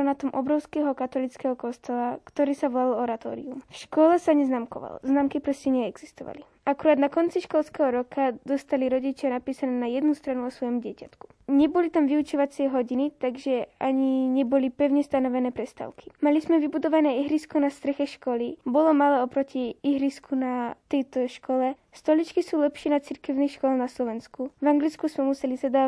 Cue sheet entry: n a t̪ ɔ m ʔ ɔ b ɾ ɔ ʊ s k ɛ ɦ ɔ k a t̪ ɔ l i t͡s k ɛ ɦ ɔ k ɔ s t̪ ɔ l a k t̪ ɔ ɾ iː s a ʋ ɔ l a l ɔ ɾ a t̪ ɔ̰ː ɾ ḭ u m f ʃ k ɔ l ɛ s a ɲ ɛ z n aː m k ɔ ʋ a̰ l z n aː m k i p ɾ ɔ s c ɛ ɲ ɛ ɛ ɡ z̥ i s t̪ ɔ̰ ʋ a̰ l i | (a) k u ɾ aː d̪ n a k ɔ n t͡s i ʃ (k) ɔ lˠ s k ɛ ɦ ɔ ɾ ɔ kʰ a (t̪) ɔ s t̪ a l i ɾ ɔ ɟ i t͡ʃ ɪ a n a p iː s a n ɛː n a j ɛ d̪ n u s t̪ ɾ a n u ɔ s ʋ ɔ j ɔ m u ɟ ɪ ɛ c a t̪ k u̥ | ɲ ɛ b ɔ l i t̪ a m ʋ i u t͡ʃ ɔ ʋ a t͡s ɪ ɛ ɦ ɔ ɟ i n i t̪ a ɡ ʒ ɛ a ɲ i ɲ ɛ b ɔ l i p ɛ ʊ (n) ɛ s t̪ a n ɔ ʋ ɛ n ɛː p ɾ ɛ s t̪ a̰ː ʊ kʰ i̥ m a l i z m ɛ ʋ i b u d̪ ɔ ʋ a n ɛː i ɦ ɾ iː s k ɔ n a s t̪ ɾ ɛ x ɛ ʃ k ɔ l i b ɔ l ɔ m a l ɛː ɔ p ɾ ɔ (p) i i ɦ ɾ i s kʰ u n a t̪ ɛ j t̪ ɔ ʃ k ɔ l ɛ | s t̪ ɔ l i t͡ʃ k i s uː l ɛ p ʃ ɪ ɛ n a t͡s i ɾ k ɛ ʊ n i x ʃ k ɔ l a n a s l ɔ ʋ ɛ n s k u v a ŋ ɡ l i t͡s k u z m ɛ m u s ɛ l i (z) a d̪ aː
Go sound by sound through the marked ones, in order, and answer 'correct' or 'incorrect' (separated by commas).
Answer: correct, correct, incorrect, incorrect, incorrect, correct